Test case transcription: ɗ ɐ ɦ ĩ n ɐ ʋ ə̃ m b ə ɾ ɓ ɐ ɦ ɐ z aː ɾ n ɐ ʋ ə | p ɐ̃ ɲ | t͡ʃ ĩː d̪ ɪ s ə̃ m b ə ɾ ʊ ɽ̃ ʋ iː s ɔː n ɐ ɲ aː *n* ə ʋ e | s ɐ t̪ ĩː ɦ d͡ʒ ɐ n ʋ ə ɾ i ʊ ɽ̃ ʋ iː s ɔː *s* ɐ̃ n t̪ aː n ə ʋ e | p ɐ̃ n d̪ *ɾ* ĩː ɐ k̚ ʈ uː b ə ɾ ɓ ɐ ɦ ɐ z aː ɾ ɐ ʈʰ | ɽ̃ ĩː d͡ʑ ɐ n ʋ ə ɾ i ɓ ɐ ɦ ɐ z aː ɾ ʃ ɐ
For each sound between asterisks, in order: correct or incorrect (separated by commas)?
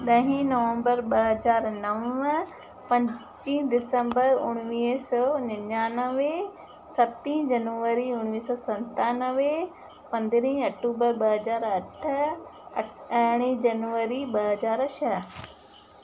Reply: correct, correct, correct